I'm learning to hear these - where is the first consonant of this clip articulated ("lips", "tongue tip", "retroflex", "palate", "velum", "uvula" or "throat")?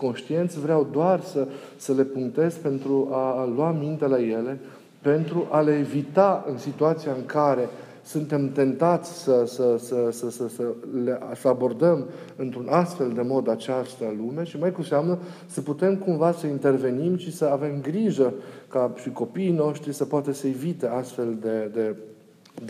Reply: velum